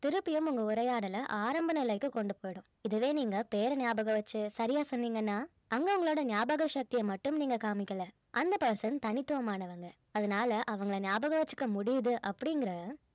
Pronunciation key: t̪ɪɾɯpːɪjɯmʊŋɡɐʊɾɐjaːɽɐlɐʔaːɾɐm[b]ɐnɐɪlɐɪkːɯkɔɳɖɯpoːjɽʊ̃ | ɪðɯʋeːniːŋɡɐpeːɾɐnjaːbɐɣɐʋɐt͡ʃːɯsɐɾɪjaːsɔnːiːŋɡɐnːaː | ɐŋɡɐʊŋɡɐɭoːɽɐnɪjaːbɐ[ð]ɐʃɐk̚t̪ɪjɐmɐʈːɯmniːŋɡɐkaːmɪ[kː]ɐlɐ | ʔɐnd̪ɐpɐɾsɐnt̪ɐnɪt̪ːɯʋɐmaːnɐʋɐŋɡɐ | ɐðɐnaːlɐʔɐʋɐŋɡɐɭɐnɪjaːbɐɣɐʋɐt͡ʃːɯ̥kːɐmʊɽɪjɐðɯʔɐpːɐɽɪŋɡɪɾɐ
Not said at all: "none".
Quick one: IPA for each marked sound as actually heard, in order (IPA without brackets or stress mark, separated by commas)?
b, ɣ, kː